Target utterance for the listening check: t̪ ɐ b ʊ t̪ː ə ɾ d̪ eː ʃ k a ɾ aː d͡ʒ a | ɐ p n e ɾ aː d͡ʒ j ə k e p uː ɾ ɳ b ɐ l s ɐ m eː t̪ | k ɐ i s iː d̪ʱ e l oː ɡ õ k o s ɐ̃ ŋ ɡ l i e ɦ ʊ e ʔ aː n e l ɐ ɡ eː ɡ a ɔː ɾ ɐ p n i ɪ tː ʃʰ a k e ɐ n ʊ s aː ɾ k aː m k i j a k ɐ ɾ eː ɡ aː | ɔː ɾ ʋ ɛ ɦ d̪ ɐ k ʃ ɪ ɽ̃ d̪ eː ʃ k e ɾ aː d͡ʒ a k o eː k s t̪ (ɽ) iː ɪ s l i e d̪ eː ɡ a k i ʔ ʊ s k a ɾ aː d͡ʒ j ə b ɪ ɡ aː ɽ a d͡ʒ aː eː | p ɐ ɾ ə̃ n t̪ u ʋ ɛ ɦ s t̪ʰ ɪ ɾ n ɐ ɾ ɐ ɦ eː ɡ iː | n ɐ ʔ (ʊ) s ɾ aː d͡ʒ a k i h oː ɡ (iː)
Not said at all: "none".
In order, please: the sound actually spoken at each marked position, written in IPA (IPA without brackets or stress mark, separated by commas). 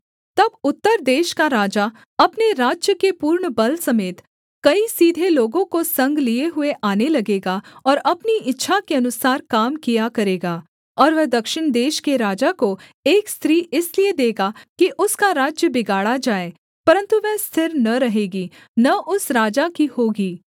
ɾ, ʊ, iː